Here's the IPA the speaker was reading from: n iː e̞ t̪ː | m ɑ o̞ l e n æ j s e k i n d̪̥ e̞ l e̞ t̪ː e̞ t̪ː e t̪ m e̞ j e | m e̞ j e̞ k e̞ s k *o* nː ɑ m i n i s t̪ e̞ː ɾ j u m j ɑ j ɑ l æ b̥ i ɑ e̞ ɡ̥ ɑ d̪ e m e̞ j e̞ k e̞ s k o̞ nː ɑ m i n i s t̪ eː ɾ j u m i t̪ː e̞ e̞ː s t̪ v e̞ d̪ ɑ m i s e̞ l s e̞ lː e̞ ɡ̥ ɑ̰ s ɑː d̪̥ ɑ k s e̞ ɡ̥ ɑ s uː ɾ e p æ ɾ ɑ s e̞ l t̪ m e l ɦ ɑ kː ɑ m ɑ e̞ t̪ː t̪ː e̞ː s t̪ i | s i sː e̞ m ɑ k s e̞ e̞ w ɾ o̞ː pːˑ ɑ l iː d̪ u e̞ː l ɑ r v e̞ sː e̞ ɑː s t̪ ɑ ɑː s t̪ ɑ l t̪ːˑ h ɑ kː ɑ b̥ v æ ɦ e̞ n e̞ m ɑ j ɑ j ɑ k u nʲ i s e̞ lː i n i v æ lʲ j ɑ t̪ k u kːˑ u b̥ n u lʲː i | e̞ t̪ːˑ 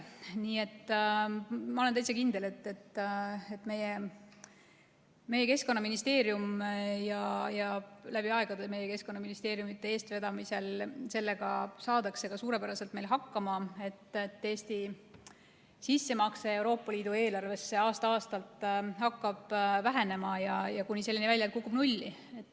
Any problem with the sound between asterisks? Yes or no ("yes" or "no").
no